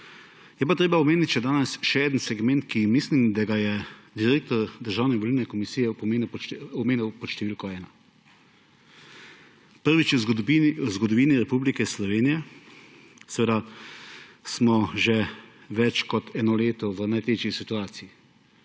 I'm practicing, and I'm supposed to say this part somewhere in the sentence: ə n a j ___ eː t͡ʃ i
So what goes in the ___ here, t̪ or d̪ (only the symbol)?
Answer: t̪